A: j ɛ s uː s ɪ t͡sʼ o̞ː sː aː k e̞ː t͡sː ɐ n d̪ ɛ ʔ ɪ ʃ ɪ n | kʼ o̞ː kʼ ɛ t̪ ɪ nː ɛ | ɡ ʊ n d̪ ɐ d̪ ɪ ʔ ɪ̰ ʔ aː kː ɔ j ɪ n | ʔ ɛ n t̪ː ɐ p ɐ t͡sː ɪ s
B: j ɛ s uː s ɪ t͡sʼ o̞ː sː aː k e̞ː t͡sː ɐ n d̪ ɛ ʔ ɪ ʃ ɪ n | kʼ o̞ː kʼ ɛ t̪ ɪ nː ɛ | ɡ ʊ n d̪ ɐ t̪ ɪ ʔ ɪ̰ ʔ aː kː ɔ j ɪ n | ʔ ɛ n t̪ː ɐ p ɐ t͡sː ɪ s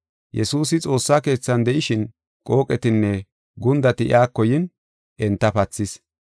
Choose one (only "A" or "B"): B